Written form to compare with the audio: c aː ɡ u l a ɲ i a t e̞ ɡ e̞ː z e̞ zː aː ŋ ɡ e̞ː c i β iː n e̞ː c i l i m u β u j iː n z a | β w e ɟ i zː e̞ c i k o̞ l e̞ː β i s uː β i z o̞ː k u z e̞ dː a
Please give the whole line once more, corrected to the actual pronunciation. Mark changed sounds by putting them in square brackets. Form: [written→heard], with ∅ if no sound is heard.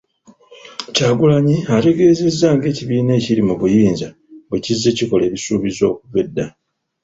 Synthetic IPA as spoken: c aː ɡ u l a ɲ i a t e̞ ɡ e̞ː z e̞ zː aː ŋ ɡ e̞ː c i β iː n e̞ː c i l i m u β u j iː n z a | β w e [ɟ→c] i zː e̞ c i k o̞ l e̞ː β i s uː β i z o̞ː k u [z→v] e̞ dː a